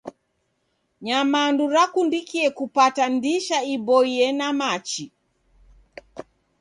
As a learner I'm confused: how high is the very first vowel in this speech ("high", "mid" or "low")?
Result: low